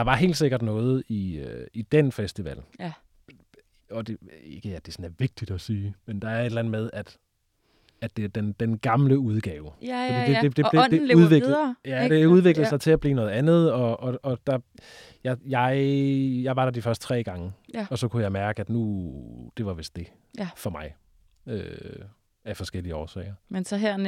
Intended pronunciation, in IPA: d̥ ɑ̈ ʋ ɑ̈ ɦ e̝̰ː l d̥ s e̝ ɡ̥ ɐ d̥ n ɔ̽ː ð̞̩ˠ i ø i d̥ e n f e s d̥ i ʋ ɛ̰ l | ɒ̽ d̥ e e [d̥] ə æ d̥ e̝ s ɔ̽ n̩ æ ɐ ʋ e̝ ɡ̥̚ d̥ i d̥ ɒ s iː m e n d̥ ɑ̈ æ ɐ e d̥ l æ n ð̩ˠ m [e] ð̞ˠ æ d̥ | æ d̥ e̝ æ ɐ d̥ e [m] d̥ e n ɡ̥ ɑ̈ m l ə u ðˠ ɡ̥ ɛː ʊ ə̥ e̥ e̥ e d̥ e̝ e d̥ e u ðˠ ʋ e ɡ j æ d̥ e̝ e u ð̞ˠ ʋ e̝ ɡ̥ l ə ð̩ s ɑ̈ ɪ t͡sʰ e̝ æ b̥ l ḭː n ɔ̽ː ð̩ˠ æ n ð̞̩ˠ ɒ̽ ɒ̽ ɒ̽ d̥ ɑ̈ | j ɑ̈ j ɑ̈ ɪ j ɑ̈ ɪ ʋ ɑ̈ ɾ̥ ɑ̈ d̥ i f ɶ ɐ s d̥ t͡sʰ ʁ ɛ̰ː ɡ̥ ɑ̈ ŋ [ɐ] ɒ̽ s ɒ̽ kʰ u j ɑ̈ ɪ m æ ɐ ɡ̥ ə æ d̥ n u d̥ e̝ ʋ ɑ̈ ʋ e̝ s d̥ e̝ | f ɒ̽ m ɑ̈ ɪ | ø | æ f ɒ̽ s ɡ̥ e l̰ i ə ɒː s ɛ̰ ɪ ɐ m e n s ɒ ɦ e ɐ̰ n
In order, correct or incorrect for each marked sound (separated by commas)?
incorrect, correct, incorrect, incorrect